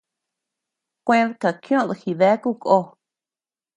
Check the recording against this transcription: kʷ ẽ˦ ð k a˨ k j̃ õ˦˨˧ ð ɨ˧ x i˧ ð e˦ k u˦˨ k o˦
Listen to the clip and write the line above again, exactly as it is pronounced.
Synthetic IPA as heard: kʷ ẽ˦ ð k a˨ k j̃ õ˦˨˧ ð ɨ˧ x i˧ ð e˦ k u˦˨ k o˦